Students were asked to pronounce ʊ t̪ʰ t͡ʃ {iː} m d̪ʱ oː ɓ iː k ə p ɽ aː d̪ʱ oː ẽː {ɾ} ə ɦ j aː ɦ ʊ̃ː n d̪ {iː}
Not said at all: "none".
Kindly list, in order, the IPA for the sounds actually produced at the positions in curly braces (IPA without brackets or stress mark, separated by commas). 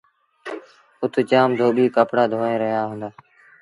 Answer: aː, ɾ, aː